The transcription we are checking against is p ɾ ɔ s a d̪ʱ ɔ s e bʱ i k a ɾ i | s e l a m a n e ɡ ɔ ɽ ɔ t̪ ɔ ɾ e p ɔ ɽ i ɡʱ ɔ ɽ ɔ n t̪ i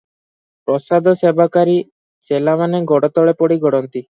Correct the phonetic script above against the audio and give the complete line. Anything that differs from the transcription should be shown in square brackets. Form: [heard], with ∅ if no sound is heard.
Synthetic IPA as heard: p ɾ ɔ s a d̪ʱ ɔ s e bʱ [a] k a ɾ i | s e l a m a n e ɡ ɔ ɽ ɔ t̪ ɔ [ɭ] e p ɔ ɽ i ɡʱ ɔ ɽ ɔ n t̪ i